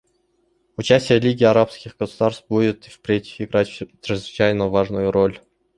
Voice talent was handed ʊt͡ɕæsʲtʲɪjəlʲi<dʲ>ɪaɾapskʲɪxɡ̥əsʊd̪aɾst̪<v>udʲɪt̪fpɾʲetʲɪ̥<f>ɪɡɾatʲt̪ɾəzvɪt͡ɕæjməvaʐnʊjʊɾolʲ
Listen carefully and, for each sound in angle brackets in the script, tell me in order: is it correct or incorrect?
incorrect: ɡʲ, incorrect: b, correct

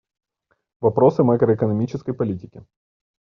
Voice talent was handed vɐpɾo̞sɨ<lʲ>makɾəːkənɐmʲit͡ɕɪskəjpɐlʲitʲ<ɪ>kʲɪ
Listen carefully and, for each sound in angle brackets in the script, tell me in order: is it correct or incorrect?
incorrect: none, correct

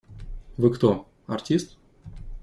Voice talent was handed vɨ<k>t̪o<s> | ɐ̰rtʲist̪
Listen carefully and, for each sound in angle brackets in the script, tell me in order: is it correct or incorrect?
correct, incorrect: none

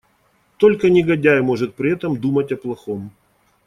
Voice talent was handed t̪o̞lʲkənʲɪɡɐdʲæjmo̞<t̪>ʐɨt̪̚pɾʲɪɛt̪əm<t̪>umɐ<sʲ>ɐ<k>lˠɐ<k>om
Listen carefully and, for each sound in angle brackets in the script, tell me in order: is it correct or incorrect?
incorrect: none, incorrect: d̪, incorrect: tʲ, incorrect: p, incorrect: x

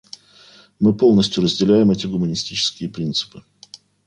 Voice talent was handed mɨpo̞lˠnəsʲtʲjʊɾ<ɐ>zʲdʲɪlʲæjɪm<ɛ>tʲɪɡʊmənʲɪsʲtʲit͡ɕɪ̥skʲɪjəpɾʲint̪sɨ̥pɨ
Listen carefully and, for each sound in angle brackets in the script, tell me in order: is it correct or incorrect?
incorrect: ə, correct

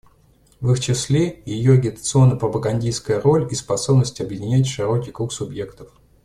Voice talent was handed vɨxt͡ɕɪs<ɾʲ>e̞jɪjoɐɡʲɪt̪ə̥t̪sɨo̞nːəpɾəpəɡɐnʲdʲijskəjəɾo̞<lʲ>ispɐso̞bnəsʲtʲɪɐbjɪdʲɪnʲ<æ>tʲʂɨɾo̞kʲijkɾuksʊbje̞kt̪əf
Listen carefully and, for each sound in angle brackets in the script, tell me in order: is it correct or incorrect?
incorrect: lʲ, correct, correct

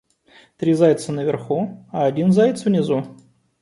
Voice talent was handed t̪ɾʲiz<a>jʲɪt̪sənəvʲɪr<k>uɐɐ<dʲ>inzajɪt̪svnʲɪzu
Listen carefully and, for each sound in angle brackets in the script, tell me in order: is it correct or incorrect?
correct, incorrect: x, correct

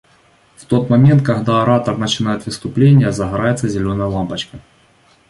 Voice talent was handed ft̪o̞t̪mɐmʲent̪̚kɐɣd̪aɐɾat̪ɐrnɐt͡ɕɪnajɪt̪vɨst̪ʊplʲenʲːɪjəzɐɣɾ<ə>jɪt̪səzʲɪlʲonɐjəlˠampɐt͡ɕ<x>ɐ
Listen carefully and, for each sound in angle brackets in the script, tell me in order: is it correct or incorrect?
incorrect: a, incorrect: k

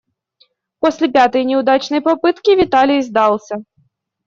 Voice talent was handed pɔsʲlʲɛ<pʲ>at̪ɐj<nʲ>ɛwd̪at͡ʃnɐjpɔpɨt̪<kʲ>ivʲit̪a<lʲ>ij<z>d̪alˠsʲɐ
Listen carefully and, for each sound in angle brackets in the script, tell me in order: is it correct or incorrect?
correct, correct, correct, correct, correct

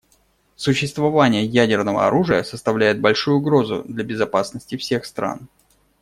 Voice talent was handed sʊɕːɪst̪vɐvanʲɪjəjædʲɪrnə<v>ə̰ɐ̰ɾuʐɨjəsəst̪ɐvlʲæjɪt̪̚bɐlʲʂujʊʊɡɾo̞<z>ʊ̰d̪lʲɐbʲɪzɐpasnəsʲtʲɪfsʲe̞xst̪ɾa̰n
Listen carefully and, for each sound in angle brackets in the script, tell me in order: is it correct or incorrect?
correct, correct

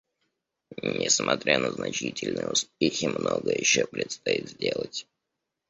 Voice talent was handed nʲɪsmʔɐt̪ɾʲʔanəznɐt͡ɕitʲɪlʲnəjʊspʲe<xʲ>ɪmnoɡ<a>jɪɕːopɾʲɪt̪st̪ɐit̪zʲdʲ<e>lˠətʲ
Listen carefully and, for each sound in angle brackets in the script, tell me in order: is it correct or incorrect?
correct, incorrect: ə, correct

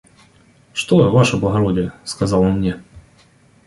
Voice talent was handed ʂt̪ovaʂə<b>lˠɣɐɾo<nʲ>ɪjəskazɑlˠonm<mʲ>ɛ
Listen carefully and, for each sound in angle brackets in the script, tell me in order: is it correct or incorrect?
correct, incorrect: dʲ, incorrect: nʲ

